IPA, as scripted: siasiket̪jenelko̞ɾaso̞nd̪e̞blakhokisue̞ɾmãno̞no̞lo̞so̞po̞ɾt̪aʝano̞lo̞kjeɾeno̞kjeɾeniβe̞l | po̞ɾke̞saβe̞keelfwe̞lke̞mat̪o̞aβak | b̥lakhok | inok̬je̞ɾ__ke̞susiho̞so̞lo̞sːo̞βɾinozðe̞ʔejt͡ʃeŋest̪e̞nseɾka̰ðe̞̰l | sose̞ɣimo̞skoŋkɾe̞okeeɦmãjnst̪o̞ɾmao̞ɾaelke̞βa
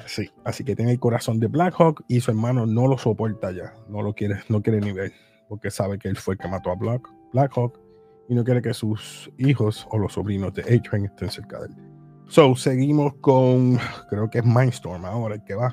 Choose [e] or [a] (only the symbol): e